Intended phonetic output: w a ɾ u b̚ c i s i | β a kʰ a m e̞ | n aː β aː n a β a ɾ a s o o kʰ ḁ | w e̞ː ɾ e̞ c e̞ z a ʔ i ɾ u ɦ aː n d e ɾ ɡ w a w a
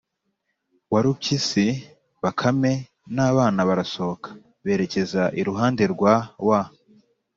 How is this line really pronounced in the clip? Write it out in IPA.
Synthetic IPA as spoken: w a ɾ u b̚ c i s i | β a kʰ a m e̞ | n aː β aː n a β a ɾ a s o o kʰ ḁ | β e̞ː ɾ e̞ c e̞ z a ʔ i ɾ u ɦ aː n d e ɾ ɡ w a w a